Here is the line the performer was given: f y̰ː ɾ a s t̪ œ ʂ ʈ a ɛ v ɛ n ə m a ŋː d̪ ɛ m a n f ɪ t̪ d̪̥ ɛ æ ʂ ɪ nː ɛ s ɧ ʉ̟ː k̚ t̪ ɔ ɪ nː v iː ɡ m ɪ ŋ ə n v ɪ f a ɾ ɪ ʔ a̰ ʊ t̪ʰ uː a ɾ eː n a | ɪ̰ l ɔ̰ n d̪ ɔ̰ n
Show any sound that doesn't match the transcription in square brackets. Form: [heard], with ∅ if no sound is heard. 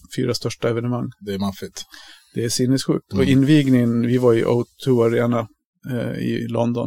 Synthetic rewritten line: f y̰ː ɾ a s t̪ œ ʂ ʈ a ɛ v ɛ n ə m a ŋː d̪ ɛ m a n f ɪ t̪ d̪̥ ɛ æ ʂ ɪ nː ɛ s ɧ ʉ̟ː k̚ t̪ ɔ ɪ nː v iː ɡ [n] ɪ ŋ ə n v ɪ [v] a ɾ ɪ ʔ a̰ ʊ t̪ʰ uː a ɾ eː n a | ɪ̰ l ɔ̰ n d̪ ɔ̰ n